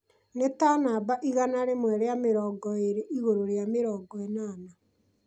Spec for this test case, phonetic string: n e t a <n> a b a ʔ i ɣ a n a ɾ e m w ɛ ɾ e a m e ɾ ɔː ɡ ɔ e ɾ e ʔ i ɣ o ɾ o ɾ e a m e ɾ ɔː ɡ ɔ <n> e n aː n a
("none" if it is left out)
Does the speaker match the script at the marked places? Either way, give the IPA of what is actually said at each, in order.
n, none

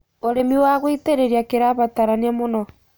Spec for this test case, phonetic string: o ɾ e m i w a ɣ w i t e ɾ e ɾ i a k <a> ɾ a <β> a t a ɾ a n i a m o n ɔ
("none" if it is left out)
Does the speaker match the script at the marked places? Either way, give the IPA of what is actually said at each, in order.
e, β

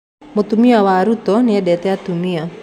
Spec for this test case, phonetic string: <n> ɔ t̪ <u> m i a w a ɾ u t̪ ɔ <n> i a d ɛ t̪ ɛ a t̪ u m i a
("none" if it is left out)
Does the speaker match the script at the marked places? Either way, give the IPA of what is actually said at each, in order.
m, u, n

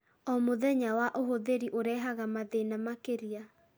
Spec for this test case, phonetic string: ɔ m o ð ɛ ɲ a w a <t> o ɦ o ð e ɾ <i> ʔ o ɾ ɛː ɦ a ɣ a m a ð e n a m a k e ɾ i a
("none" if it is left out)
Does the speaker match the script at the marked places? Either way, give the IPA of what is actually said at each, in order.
ʔ, i

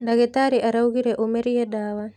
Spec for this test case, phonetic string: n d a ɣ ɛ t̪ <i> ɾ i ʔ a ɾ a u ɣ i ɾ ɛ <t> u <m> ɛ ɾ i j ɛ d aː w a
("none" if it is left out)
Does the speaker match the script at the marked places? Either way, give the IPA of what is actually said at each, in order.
a, ʔ, m

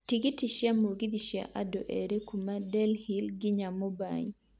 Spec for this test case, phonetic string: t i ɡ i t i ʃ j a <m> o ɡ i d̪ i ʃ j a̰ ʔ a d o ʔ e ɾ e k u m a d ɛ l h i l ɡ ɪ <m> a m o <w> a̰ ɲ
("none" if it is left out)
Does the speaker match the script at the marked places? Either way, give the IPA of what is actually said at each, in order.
m, ɲ, b

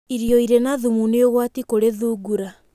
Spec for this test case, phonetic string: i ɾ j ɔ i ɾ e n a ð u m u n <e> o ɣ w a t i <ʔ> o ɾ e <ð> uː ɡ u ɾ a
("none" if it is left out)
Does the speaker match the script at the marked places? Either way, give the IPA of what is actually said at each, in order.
e, k, ð

